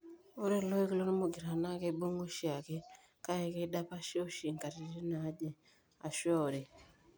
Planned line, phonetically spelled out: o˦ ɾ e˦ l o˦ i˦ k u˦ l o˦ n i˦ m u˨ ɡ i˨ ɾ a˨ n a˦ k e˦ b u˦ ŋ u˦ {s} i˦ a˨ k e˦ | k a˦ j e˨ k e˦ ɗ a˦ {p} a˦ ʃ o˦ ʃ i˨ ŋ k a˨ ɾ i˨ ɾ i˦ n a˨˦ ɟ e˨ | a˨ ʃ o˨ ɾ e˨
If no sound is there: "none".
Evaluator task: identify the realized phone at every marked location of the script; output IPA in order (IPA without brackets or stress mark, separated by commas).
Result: ʃ, p